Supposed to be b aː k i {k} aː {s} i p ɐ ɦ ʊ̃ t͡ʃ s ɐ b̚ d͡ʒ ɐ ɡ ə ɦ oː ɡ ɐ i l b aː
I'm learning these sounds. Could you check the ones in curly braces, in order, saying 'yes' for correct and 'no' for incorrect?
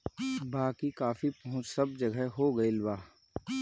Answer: yes, no

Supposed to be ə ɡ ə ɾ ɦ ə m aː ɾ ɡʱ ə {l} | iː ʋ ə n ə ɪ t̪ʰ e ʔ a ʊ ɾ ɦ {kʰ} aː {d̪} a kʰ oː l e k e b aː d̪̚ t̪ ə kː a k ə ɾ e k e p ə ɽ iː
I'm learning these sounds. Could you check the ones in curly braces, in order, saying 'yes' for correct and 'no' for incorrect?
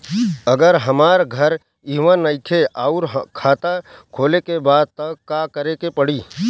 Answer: no, yes, no

